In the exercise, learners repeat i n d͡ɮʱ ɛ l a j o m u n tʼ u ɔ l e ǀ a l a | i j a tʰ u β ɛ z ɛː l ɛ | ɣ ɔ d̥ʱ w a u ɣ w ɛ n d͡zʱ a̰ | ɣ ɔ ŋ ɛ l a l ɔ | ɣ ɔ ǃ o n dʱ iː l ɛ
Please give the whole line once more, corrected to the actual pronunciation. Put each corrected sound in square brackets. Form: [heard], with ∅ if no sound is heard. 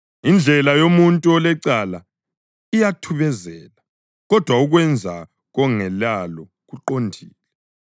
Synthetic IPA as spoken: i n d͡ɮʱ ɛ l a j o m u n tʼ u ɔ l [ɛ] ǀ a l a | i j a tʰ u β ɛ z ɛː l [a] | ɣ ɔ d̥ʱ w a u ɣ w ɛ n d͡zʱ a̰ | ɣ ɔ ŋ ɛ l a l ɔ | ɣ [u] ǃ o n dʱ iː l ɛ